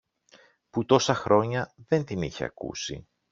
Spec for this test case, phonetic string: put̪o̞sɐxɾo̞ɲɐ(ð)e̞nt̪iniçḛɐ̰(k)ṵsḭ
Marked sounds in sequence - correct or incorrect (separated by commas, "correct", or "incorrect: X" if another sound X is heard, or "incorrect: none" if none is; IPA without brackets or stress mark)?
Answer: correct, correct